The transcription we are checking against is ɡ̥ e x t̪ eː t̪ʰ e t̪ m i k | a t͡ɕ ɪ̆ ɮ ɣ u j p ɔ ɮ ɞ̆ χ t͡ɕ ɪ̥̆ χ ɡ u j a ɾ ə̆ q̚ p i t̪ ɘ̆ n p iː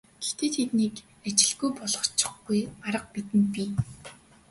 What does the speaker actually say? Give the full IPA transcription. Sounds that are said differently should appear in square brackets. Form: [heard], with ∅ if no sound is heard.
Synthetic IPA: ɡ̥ e x t̪ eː t̪ʰ e t̪ [n] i k | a t͡ɕ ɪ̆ ɮ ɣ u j p ɔ ɮ ɞ̆ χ t͡ɕ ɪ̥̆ χ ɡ u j a ɾ ə̆ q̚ p i t̪ ɘ̆ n p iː